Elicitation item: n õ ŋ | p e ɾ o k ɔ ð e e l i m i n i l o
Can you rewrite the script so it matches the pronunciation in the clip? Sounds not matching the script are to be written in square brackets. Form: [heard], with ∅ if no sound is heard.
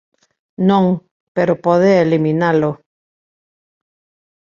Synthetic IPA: n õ ŋ | p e ɾ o [p] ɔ ð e e l i m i n [a] l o